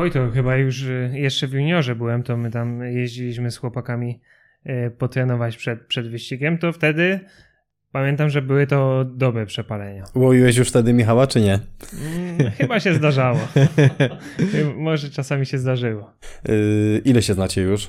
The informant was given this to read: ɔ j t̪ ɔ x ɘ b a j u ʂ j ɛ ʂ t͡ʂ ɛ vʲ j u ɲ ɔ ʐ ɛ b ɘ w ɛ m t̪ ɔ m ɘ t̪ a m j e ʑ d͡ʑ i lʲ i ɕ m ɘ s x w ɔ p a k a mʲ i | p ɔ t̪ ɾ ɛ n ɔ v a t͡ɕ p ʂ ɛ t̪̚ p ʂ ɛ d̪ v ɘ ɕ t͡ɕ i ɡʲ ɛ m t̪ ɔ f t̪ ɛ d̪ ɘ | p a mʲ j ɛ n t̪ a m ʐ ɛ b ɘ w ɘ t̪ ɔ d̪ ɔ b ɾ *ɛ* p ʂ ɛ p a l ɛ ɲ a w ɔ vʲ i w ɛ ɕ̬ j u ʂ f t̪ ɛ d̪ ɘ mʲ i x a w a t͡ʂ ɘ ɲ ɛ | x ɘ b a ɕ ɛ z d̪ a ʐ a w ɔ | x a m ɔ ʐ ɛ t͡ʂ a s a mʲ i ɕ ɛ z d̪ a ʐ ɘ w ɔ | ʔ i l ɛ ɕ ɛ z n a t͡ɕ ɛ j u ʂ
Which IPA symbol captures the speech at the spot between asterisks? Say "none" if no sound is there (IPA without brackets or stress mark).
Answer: ɛ